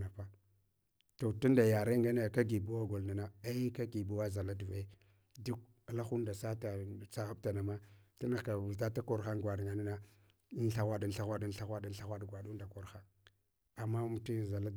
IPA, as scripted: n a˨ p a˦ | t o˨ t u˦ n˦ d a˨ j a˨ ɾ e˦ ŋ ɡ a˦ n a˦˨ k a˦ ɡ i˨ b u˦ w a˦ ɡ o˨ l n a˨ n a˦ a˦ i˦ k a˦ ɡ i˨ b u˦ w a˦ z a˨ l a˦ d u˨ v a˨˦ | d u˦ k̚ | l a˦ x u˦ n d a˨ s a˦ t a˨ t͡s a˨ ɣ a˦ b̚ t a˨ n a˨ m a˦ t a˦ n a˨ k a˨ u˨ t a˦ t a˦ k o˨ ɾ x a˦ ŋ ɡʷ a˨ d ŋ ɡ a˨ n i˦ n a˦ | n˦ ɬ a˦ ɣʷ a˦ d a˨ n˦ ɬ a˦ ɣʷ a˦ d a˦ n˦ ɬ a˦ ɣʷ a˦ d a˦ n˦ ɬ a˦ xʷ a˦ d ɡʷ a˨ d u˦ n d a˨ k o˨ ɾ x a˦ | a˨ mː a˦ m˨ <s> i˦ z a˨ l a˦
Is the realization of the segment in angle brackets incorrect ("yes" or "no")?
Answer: yes